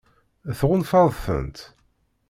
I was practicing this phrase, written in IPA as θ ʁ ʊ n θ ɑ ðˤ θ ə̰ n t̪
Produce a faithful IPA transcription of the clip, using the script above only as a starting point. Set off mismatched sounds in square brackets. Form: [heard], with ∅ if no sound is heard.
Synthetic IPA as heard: θ ʁ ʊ n [f] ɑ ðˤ θ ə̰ n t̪

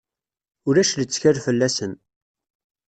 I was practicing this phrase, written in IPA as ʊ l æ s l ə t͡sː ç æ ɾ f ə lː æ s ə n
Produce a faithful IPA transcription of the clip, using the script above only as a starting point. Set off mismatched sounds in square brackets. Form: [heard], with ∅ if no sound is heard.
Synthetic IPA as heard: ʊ [ɾ] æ [ʃ] l ə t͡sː ç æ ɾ f ə lː æ s ə n

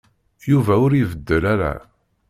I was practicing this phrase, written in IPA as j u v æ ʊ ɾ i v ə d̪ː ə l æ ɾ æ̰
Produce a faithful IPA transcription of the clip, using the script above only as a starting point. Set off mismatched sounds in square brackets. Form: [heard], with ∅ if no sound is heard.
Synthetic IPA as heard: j u v æ ʊ ɾ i v ə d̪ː ə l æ ɾ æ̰

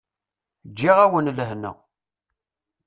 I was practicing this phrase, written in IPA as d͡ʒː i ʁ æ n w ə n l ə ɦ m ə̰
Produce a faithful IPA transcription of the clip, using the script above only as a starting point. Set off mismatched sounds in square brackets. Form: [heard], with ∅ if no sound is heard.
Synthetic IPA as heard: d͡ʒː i ʁ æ [∅] w ə n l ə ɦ [n] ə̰

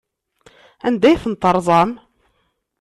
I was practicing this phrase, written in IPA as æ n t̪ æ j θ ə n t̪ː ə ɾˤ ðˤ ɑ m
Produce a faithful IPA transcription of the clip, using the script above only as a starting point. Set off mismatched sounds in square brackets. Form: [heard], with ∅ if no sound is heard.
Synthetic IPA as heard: æ n [d̪] æ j θ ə n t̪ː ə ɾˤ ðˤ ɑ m

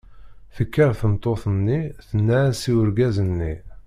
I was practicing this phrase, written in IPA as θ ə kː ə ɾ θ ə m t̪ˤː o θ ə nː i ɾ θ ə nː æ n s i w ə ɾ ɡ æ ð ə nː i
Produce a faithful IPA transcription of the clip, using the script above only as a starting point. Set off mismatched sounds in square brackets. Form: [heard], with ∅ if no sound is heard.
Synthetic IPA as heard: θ ə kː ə ɾ θ ə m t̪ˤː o θ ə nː i [∅] θ ə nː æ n s i w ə ɾ ɡ æ [z] ə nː i

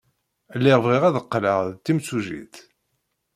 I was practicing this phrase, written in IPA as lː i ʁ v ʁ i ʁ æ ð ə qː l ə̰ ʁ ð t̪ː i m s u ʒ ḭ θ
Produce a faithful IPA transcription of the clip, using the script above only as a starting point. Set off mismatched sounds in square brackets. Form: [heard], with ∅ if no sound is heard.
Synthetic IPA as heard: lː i ʁ v ʁ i ʁ æ ð ə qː l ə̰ ʁ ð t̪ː i m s u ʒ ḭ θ

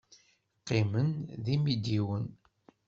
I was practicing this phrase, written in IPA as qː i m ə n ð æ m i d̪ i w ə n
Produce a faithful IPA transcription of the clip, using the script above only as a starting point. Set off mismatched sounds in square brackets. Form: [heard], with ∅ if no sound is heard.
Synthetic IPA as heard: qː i m ə n ð [i] m i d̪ i w ə n

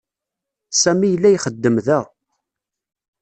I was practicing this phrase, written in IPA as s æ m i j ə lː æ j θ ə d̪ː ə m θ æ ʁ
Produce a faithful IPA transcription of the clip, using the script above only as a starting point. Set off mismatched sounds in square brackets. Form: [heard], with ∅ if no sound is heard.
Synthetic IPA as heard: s æ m i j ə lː æ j [χ] ə d̪ː ə m [ð] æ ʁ

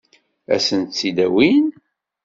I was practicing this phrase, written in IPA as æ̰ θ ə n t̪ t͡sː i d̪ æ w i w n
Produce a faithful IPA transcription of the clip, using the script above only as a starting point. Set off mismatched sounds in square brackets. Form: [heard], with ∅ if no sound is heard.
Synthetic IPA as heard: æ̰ [s] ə n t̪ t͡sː i d̪ æ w i [∅] n

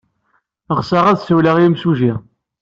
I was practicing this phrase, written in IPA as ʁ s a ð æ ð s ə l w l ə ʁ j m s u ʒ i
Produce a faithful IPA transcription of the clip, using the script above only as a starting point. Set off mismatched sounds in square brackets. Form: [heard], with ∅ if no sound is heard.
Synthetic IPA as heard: ʁ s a [ʁ] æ ð s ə [∅] w l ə ʁ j m s u ʒ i

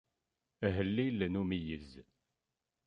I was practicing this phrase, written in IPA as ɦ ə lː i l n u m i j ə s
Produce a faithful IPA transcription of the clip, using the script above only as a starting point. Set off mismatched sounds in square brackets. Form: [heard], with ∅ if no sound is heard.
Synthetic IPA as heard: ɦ ə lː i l n u m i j ə [z]

